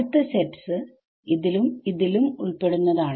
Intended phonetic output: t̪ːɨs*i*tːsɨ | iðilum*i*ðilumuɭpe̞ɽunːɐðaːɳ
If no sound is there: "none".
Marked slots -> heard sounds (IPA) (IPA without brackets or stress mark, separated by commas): e, i